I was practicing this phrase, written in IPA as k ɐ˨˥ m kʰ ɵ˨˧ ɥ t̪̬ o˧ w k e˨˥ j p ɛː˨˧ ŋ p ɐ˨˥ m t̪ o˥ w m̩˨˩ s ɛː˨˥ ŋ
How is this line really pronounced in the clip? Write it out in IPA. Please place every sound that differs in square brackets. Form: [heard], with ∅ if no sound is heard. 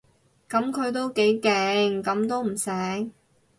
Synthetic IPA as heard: k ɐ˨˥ m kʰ ɵ˨˧ ɥ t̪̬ [o˥] w k e˨˥ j [k] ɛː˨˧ ŋ [k] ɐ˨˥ m t̪ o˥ w m̩˨˩ s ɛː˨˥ ŋ